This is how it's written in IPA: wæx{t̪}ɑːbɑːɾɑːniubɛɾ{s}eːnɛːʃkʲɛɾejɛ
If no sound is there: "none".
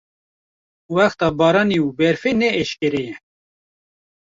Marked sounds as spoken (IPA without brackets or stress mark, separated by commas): t̪, f